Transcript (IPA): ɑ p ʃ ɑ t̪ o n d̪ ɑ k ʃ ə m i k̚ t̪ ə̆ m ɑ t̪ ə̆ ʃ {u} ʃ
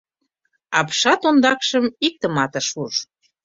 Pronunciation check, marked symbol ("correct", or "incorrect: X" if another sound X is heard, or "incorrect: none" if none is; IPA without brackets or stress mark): correct